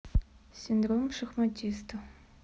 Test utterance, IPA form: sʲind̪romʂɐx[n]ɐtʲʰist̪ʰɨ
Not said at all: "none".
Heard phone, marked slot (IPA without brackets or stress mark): m